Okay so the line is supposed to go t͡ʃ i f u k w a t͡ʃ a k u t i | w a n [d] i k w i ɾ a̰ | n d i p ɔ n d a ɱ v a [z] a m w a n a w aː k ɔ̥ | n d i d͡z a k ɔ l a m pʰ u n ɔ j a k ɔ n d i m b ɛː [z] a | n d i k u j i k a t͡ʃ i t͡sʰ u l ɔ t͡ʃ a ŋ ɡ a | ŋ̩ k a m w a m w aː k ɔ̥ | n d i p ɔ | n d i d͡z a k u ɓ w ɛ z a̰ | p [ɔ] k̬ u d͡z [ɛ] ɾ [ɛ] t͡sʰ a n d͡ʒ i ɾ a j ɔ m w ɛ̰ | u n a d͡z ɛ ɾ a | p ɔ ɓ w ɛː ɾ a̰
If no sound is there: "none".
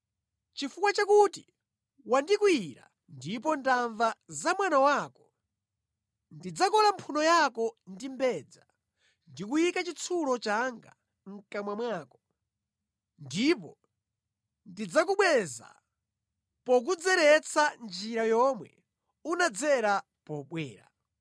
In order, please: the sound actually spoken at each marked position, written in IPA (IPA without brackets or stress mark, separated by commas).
d, z, d͡z, ɔ, ɛ, ɛ